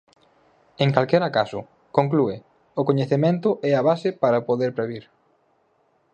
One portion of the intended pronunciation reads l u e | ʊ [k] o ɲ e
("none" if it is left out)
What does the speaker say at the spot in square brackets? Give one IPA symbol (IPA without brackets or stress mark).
k